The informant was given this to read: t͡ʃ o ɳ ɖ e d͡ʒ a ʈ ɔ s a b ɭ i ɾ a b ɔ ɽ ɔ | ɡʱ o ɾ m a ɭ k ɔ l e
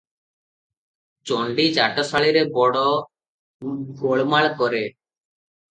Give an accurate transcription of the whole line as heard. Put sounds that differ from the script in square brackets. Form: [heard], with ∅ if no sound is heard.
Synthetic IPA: t͡ʃ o ɳ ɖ [i] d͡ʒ a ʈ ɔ s a [∅] ɭ i ɾ [e] b ɔ ɽ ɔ | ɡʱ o [ɭ] m a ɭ k ɔ [ɾ] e